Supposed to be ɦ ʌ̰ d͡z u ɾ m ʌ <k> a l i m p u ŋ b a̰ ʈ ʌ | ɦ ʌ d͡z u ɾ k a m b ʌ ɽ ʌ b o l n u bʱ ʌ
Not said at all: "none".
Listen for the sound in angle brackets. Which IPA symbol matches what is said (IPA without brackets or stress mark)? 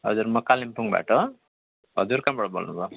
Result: k